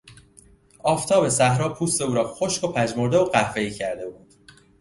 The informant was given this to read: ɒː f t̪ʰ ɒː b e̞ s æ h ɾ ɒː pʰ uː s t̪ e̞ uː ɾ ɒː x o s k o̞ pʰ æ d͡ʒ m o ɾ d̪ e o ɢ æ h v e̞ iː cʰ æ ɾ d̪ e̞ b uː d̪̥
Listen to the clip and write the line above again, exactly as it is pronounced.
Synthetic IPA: ɒː f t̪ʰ ɒː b e̞ s æ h ɾ ɒː pʰ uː s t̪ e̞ uː ɾ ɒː x o ʃ k o̞ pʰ æ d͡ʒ m o ɾ d̪ e o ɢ æ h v e̞ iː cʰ æ ɾ d̪ e̞ b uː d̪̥